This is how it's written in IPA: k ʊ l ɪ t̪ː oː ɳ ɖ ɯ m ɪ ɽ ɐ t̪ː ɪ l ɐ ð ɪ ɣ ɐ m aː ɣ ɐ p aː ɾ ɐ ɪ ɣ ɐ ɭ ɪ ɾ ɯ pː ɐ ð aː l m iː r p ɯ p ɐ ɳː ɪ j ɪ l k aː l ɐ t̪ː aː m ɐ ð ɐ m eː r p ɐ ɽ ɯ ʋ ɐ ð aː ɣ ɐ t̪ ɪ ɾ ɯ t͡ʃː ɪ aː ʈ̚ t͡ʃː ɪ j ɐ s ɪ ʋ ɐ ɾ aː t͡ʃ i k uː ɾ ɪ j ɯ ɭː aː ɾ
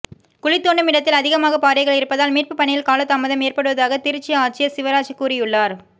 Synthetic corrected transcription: k ʊ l ɪ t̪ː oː ɳ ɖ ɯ m ɪ ɽ ɐ t̪ː ɪ l ɐ ð ɪ ɣ ɐ m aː ɣ ɐ p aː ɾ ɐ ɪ ɣ ɐ ɭ ɪ ɾ ɯ pː ɐ ð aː l m iː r p ɯ p ɐ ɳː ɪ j ɪ l k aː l ɐ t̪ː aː m ɐ ð ɐ m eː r p ɐ ɽ ɯ ʋ ɐ ð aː ɣ ɐ t̪ ɪ ɾ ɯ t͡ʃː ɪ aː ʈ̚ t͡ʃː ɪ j ɐ s ɪ ʋ ɐ ɾ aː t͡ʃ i k uː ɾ ɪ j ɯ ɭː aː ɾ